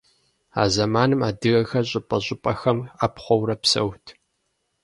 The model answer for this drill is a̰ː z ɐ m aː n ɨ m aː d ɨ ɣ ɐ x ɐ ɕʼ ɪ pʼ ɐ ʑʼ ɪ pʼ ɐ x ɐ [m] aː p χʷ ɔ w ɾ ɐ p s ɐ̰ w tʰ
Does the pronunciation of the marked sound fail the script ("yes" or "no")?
no